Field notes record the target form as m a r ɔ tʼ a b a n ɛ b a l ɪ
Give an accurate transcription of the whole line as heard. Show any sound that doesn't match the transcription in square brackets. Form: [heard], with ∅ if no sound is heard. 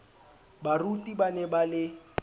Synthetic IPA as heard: [b] a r [u] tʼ [i] b a n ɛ b a l ɪ